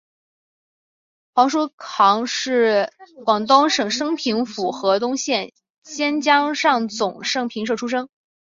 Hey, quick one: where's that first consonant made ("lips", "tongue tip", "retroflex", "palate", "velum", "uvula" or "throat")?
velum